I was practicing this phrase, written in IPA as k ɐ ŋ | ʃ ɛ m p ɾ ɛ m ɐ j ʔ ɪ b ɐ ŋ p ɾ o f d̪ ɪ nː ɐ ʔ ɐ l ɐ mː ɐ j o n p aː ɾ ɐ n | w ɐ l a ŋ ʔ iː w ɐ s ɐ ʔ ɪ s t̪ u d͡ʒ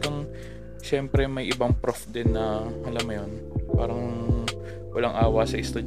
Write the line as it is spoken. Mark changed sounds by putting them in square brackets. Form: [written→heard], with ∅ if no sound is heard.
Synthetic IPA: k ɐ ŋ | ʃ ɛ m p ɾ ɛ m ɐ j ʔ ɪ b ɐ ŋ p ɾ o f d̪ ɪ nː ɐ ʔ ɐ l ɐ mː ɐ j o n p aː ɾ ɐ [n→ŋ] | w ɐ l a ŋ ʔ [iː→aː] w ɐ s ɐ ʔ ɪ s t̪ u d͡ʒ